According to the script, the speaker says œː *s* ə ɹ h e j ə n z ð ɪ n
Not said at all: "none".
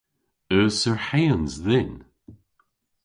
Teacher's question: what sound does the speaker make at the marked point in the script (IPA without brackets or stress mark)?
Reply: s